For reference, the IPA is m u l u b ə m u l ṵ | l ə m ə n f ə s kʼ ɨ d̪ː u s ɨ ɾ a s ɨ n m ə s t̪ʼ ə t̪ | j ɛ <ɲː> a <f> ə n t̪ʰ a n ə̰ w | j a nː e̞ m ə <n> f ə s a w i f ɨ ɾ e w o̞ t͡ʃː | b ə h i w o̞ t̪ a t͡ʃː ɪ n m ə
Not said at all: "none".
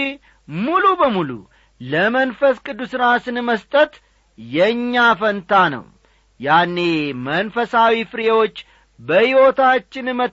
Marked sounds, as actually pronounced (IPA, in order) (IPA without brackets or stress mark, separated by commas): ɲː, f, n